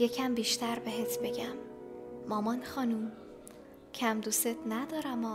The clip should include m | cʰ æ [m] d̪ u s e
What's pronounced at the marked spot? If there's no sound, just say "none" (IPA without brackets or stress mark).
m